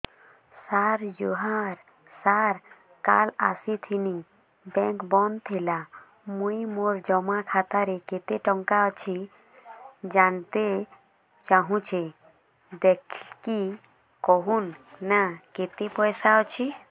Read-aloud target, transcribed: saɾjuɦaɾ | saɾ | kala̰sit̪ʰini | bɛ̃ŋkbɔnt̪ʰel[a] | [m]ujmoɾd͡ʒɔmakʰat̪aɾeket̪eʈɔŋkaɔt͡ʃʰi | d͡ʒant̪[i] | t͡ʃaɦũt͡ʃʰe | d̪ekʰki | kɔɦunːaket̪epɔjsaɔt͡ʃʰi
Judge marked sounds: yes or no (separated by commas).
yes, yes, no